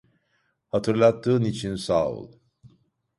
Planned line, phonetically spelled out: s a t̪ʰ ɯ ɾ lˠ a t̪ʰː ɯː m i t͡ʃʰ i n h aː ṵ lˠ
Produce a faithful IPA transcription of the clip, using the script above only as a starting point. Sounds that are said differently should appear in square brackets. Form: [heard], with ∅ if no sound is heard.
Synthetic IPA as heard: [h] a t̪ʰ ɯ ɾ lˠ a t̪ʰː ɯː [n] i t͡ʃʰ i n [s] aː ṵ lˠ